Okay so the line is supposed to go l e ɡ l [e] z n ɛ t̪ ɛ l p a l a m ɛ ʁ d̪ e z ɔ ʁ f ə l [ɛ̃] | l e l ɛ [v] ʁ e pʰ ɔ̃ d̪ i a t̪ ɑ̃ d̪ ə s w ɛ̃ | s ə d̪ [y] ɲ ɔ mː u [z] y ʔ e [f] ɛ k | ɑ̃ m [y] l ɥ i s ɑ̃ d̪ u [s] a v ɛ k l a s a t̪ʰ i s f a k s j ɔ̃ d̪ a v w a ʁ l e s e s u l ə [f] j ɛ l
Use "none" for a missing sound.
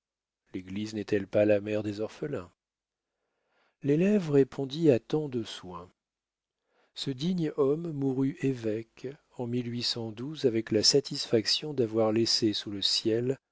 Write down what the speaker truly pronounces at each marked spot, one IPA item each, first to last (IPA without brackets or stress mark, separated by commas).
i, ɛ̃, v, i, ʁ, v, i, z, s